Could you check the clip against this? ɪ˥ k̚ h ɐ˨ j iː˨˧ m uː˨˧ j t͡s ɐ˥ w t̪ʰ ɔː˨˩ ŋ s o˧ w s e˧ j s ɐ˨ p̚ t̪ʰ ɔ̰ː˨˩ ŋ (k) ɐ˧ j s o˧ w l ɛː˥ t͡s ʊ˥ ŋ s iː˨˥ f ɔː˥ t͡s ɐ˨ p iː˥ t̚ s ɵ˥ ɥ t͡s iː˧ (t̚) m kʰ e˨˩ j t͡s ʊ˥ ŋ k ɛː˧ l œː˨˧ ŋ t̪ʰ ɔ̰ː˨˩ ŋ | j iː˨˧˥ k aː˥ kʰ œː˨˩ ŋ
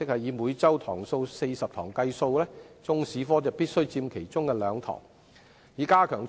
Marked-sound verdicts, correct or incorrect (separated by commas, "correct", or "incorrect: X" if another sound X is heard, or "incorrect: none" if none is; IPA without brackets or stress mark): correct, incorrect: none